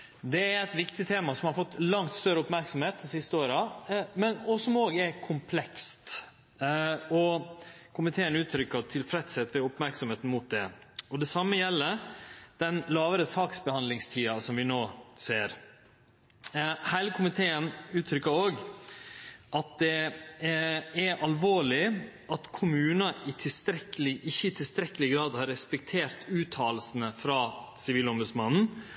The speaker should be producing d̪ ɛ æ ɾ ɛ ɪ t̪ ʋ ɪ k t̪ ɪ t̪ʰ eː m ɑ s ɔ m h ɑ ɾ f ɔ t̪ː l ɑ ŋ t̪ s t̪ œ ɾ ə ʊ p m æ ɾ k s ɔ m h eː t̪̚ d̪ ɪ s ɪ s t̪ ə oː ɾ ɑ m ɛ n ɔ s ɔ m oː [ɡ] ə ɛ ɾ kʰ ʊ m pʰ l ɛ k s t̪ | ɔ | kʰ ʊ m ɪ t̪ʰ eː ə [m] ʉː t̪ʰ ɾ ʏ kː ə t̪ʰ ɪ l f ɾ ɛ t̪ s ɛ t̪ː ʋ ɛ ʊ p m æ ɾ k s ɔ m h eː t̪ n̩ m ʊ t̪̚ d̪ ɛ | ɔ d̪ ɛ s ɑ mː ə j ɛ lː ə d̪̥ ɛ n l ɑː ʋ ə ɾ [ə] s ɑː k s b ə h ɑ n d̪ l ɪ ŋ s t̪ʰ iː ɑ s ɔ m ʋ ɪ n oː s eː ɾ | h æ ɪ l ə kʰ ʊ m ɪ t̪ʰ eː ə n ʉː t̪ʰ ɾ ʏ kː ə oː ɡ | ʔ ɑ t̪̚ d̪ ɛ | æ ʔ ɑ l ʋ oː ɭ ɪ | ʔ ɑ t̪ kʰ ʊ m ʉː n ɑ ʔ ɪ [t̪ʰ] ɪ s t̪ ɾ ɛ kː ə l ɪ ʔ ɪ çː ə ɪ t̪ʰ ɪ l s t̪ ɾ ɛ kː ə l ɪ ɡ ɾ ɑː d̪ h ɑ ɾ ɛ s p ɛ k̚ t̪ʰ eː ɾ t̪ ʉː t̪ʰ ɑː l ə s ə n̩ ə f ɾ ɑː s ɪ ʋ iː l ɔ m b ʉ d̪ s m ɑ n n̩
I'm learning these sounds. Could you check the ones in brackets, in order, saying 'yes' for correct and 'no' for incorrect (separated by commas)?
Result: yes, no, yes, yes